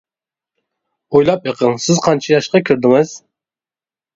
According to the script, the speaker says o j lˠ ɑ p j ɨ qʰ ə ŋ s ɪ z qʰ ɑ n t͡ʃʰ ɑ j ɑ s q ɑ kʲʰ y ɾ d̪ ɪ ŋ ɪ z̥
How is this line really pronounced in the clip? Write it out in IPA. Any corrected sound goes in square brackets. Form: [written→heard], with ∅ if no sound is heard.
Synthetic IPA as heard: o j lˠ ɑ p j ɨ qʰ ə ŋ s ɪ z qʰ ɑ n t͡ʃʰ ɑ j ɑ [s→ʃ] q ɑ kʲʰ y ɾ d̪ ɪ ŋ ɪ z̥